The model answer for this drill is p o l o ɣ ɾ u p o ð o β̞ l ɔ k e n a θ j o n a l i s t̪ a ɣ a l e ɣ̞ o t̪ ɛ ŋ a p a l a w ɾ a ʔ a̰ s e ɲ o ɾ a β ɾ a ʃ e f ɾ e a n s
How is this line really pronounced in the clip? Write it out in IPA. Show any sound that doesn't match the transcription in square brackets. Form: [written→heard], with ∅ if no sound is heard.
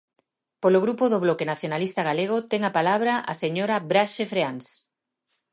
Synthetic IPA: p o l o ɣ ɾ u p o ð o β̞ l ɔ k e n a θ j o n a l i s t̪ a ɣ a l e ɣ̞ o t̪ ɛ ŋ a p a l a [w→β] ɾ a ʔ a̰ s e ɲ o ɾ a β ɾ a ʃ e f ɾ e a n s